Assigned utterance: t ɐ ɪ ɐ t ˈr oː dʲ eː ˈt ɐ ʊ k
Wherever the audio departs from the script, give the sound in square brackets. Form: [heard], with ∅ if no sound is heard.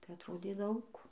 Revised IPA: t ɐ ɪ ɐ t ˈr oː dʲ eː [ˈd] ɐ ʊ k